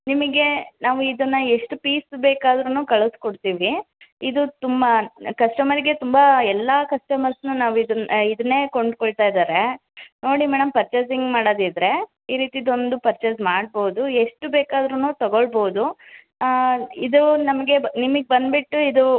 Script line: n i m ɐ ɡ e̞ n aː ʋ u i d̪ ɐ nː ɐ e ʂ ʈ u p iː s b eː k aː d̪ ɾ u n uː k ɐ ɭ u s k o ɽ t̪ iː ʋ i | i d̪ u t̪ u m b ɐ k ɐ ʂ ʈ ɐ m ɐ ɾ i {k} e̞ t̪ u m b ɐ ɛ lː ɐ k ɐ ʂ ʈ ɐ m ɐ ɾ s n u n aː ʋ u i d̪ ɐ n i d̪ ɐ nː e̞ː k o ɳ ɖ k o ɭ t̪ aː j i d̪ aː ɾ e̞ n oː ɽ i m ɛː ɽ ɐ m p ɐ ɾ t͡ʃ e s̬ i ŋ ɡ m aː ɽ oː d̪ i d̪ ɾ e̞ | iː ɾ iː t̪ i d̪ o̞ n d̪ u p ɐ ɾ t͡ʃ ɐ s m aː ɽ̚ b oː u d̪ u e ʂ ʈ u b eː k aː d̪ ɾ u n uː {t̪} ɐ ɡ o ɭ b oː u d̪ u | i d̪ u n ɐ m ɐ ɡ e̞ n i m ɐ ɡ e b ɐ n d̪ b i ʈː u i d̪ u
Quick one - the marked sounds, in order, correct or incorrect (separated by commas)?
incorrect, correct